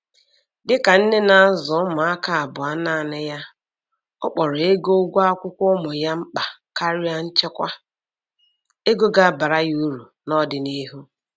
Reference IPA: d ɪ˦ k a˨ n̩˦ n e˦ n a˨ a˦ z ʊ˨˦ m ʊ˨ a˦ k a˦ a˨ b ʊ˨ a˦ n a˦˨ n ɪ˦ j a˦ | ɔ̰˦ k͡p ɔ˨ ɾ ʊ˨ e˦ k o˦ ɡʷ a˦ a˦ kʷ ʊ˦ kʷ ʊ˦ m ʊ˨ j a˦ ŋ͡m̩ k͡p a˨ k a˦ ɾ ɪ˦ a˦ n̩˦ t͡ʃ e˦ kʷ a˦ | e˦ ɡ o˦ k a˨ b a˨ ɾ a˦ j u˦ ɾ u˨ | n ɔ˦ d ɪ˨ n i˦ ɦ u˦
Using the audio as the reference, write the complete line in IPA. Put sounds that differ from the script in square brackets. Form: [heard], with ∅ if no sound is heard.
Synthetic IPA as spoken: d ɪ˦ k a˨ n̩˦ n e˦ n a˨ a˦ z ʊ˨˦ m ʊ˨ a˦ k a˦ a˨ b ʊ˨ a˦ n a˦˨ n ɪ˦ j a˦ | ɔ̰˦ k͡p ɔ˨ ɾ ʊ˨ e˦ [ɡ] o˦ ɡʷ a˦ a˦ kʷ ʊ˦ kʷ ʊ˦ m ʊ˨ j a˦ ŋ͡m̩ k͡p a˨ k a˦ ɾ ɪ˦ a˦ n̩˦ t͡ʃ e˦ kʷ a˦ | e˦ ɡ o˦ [ɡ] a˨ b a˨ ɾ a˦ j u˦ ɾ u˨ | n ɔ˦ d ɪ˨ n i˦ ɦ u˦